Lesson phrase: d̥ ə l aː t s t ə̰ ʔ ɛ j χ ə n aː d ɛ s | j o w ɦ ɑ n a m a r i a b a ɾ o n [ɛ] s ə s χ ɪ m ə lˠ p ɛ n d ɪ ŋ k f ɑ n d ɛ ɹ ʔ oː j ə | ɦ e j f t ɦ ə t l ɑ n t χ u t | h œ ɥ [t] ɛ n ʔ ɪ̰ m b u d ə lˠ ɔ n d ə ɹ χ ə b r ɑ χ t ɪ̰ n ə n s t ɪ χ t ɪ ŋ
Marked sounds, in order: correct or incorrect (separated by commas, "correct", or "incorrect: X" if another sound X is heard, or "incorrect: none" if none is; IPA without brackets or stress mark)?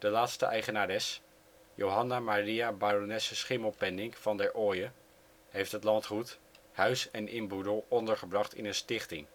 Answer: correct, incorrect: s